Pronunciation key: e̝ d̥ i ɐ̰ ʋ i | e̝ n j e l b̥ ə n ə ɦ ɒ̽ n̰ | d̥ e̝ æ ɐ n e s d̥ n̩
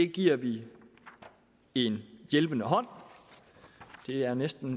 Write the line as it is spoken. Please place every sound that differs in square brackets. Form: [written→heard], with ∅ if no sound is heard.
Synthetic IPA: e̝ [d̥→ɡ̥] i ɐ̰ ʋ i | e̝ n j e l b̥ ə n ə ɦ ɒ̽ n̰ | d̥ e̝ æ ɐ n e s d̥ n̩